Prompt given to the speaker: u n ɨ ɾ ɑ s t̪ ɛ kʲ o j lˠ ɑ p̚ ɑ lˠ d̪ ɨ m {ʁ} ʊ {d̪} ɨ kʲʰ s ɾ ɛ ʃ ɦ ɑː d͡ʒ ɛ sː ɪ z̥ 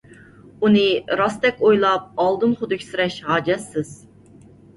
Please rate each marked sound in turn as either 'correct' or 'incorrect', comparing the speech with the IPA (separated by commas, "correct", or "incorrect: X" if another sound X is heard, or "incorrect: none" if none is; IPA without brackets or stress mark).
incorrect: χ, correct